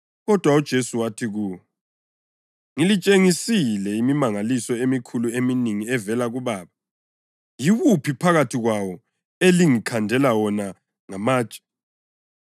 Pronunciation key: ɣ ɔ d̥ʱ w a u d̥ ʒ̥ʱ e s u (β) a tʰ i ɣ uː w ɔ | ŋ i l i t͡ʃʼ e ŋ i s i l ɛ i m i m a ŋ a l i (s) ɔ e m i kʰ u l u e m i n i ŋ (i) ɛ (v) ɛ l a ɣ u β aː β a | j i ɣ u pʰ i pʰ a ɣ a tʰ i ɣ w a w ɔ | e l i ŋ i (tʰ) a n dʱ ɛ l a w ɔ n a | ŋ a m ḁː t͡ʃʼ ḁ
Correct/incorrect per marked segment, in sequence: incorrect: w, correct, correct, correct, incorrect: kʰ

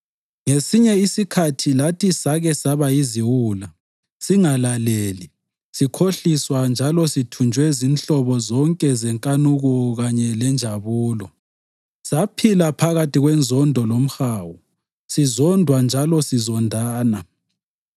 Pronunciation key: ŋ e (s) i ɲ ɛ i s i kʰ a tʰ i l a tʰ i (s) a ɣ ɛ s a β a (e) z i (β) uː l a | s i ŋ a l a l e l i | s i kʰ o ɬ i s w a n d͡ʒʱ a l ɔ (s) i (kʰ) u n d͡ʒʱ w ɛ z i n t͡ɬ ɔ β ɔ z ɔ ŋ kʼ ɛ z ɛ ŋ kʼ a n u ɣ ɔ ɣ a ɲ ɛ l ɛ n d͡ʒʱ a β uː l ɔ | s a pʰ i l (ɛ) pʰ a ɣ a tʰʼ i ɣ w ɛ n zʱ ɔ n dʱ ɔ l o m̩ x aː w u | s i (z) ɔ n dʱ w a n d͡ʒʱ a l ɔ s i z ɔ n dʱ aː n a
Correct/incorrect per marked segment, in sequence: correct, correct, incorrect: i, incorrect: w, correct, incorrect: tʰ, incorrect: a, correct

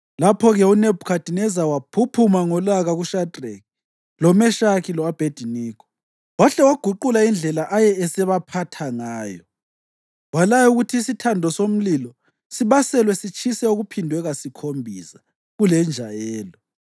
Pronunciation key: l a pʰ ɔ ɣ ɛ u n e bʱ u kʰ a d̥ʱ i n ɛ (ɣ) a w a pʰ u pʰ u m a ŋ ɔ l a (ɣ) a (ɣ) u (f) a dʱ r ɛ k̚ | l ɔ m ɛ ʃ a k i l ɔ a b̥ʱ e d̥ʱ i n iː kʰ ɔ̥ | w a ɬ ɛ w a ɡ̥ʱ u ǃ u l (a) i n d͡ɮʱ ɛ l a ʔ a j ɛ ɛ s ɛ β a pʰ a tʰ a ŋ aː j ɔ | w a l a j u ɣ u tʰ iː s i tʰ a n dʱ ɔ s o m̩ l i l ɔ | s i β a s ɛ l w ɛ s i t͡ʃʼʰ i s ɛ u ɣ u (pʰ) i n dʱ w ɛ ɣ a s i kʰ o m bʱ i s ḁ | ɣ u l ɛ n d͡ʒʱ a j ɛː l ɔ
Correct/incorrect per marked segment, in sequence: incorrect: z, correct, correct, incorrect: ʃ, correct, correct

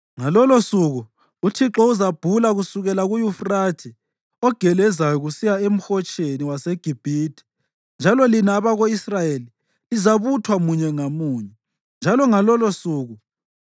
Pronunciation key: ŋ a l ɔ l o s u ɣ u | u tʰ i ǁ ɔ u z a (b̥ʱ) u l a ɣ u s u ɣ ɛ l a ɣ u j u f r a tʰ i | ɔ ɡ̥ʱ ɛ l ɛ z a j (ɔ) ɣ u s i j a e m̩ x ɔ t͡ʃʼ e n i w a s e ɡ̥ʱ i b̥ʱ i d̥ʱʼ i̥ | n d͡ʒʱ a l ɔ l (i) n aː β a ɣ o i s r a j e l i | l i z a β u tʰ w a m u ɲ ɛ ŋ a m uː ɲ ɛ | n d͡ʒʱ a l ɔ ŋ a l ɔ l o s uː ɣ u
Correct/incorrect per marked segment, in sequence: correct, correct, correct

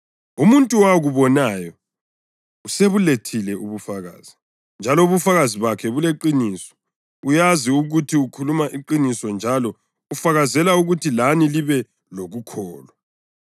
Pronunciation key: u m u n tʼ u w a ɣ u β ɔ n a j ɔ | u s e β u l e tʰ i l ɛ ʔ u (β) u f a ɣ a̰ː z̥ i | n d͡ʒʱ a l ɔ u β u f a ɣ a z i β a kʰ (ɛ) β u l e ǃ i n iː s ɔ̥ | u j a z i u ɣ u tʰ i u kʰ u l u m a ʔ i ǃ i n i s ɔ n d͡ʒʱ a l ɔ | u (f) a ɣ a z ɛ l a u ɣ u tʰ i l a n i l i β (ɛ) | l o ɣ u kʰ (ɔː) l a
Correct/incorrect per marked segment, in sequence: correct, correct, correct, correct, correct

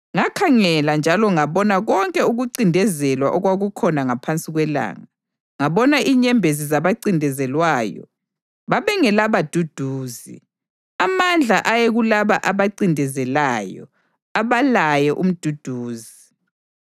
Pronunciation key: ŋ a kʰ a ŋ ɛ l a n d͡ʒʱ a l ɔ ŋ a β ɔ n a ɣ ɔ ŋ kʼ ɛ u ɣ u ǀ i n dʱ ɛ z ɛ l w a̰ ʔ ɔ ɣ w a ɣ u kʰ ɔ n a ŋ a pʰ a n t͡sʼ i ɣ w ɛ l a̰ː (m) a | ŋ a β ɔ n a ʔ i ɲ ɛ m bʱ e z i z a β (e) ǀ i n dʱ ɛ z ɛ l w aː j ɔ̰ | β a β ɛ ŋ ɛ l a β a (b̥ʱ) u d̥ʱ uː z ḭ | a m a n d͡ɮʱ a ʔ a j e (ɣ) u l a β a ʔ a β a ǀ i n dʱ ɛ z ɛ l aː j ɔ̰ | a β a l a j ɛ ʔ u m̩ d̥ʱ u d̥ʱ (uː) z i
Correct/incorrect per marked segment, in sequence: incorrect: ŋ, incorrect: a, incorrect: d̥ʱ, correct, correct

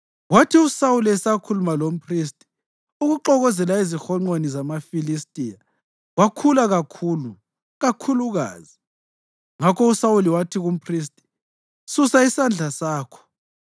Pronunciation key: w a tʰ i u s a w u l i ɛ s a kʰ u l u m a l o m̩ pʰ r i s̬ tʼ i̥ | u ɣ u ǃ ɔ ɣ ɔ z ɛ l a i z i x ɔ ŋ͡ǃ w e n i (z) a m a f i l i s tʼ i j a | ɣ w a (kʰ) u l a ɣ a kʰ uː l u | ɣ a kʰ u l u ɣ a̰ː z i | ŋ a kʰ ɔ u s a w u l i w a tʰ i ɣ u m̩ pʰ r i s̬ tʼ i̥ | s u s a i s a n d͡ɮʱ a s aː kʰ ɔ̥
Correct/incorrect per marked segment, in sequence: correct, correct

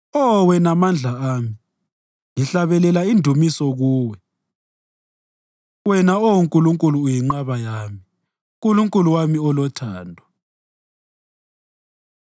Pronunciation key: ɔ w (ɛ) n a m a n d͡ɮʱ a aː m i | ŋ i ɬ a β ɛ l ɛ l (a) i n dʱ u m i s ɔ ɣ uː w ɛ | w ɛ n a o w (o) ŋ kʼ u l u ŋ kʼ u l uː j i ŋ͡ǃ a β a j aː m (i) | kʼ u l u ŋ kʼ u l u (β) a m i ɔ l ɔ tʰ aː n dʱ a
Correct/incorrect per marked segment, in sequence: correct, correct, incorrect: u, correct, incorrect: w

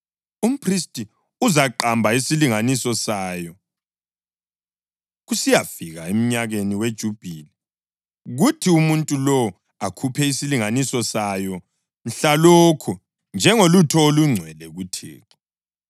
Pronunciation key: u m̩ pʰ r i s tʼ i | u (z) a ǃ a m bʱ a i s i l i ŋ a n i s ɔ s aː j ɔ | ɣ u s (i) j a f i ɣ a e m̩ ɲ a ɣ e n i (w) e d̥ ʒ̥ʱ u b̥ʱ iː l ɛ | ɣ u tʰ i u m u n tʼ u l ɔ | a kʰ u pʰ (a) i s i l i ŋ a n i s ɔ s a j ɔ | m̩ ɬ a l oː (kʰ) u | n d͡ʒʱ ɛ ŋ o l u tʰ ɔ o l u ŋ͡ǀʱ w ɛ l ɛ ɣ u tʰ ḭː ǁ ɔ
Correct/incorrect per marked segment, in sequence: correct, correct, correct, incorrect: ɛ, correct

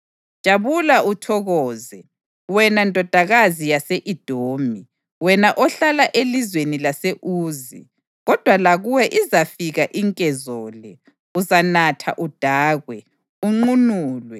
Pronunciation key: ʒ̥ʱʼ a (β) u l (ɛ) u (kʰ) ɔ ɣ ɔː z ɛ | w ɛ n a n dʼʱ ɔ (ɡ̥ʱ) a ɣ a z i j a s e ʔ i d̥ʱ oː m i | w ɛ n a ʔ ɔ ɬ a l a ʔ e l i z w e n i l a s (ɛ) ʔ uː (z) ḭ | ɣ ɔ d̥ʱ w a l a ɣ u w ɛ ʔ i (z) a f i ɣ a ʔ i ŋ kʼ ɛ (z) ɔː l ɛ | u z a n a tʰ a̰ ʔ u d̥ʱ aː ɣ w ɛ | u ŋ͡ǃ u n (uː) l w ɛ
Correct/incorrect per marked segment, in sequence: correct, incorrect: a, incorrect: tʰ, incorrect: d̥ʱ, incorrect: e, correct, correct, correct, correct

